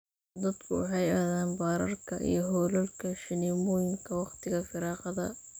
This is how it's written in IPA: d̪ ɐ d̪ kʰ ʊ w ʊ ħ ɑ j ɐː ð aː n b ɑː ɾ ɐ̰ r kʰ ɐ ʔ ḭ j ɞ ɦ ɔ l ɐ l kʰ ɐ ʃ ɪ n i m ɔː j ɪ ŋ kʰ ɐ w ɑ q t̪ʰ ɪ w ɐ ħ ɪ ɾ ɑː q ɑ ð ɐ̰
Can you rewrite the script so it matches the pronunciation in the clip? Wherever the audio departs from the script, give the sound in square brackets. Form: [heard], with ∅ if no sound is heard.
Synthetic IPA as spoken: d̪ ɐ d̪ kʰ ʊ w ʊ ħ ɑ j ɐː ð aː n b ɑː ɾ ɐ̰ r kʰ ɐ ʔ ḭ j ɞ ɦ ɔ l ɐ l kʰ ɐ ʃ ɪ n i m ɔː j ɪ ŋ kʰ ɐ w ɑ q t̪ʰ ɪ [ɣ] ɐ [f] ɪ ɾ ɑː q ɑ ð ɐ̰